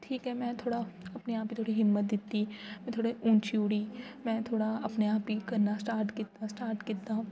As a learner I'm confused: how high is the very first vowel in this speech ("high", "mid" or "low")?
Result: high